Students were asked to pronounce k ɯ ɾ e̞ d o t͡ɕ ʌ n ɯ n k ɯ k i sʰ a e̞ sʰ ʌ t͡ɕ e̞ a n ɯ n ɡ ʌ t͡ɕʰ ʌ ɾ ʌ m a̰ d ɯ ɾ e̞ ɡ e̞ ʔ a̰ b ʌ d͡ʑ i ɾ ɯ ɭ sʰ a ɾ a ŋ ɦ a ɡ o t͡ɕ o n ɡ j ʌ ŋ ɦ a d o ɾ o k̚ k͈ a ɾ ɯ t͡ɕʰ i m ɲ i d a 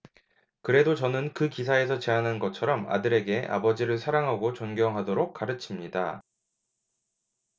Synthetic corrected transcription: k ɯ ɾ e̞ d o t͡ɕ ʌ n ɯ n k ɯ k i sʰ a e̞ sʰ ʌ t͡ɕ e̞ a n ɯ n ɡ ʌ t͡ɕʰ ʌ ɾ ʌ m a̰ d ɯ ɾ e̞ ɡ e̞ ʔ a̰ b ʌ d͡ʑ i ɾ ɯ ɭ sʰ a ɾ a ŋ ɦ a ɡ o t͡ɕ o n ɡ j ʌ ŋ ɦ a d o ɾ o k̚ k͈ a ɾ ɯ t͡ɕʰ i m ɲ i d a